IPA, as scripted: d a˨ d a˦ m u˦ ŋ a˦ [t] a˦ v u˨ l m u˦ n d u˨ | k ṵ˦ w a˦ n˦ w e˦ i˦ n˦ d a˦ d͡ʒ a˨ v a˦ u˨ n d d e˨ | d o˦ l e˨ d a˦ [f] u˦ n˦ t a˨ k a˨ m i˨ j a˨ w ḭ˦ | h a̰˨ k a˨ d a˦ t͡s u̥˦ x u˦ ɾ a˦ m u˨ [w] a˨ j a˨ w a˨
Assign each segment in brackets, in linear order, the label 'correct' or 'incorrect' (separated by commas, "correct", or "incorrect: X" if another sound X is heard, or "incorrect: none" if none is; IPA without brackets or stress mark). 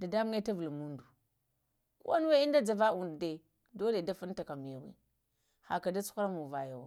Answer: correct, correct, incorrect: v